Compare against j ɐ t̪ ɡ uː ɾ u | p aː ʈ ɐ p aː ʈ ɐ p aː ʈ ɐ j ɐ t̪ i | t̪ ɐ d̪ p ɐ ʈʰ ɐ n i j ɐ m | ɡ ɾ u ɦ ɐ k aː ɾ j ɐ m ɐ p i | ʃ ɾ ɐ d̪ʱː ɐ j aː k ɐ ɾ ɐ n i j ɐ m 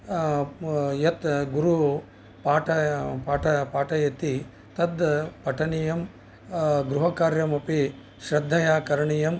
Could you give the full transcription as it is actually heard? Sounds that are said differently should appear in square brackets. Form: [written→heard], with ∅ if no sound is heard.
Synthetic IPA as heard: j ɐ t̪ ɡ [uː→u] ɾ u | p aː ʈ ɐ p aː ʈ ɐ p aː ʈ ɐ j ɐ t̪ i | t̪ ɐ d̪ p ɐ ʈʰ ɐ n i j ɐ m | ɡ ɾ u ɦ ɐ k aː ɾ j ɐ m ɐ p i | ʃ ɾ ɐ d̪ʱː ɐ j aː k ɐ ɾ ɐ [n→ɳ] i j ɐ m